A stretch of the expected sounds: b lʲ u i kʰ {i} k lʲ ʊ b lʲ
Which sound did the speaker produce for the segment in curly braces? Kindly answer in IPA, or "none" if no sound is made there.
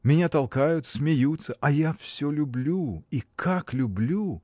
a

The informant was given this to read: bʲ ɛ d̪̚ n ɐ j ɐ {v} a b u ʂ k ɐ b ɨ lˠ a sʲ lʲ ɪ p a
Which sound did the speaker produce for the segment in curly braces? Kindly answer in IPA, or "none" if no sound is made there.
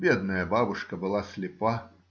b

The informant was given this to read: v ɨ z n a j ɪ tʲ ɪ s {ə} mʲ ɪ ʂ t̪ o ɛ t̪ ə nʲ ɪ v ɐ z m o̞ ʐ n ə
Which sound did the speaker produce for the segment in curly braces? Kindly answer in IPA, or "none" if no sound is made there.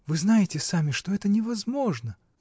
a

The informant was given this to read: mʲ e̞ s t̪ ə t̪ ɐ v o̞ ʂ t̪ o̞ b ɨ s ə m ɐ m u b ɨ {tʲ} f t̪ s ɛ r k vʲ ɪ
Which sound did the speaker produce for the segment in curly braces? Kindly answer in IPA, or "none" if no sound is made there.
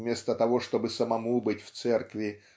tʲ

